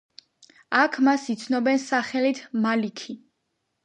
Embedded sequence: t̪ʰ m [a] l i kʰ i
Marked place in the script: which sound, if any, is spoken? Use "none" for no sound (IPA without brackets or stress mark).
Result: a